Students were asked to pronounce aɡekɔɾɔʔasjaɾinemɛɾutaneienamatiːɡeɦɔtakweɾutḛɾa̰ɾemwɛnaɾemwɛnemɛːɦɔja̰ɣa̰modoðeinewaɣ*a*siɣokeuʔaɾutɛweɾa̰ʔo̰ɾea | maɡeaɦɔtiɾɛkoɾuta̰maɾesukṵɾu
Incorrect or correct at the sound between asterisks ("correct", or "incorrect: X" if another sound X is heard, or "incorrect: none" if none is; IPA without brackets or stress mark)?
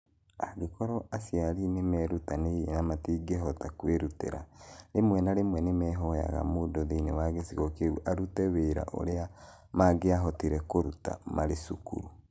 incorrect: e